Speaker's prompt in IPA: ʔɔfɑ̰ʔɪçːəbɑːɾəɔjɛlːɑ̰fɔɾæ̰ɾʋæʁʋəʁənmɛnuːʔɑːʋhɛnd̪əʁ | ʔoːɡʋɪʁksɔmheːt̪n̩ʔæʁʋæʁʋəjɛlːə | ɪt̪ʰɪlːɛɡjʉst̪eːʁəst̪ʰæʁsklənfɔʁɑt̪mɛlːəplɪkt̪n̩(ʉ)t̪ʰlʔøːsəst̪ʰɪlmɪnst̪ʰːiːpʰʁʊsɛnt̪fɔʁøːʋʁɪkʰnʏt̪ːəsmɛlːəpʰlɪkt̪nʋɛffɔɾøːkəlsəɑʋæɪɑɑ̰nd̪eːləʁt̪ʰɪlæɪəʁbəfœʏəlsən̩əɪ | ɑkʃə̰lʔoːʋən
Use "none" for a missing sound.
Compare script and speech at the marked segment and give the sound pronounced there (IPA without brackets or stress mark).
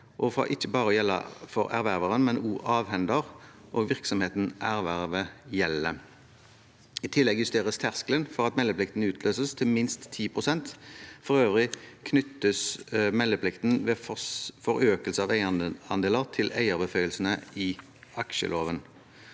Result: ʉː